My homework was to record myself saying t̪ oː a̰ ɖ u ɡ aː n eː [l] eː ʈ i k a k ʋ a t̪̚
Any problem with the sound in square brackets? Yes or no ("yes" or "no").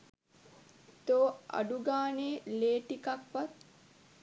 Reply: no